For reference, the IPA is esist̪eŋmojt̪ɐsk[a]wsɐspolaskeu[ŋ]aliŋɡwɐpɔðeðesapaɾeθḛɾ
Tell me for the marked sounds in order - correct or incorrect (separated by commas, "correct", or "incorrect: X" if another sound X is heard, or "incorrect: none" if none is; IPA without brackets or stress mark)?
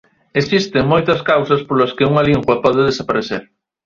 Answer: correct, correct